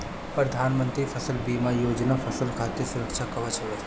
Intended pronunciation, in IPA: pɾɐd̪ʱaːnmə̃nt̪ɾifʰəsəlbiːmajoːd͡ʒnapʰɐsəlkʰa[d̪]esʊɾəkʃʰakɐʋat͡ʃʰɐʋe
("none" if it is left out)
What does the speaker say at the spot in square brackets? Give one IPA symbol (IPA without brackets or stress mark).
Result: t̪